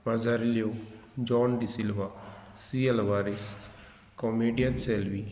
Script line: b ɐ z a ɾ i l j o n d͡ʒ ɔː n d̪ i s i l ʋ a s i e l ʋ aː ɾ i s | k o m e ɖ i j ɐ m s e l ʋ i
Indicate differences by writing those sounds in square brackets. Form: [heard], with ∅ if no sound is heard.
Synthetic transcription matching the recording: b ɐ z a ɾ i l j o [∅] d͡ʒ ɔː n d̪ i s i l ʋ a s i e l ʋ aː ɾ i s | k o m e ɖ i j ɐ [n] s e l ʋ i